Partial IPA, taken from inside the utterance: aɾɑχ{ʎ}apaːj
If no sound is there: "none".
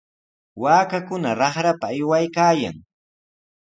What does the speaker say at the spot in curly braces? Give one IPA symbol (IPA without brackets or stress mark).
ɾ